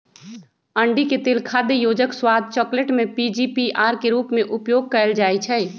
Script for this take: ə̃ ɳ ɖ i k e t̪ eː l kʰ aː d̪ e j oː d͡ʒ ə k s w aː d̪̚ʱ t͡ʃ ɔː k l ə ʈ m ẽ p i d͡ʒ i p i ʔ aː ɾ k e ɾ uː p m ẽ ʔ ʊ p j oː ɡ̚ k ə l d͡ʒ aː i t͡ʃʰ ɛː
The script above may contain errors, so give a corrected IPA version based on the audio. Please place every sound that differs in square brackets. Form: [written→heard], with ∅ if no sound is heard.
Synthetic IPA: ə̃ ɳ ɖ i k e t̪ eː l kʰ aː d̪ e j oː d͡ʒ ə k s w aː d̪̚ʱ t͡ʃ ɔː k l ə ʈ m ẽ p i d͡ʒ i p i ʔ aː ɾ k e ɾ uː p m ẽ ʔ ʊ p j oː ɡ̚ k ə l d͡ʒ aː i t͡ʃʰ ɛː